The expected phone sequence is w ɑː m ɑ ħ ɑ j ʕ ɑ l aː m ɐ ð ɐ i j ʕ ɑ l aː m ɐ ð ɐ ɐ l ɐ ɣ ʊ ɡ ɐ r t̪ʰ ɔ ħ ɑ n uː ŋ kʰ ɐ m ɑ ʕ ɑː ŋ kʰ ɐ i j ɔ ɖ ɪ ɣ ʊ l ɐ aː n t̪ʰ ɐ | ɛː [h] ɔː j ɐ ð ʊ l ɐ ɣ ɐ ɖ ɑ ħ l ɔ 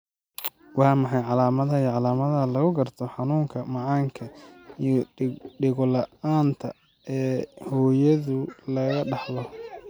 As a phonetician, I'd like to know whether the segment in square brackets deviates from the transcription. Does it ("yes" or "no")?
no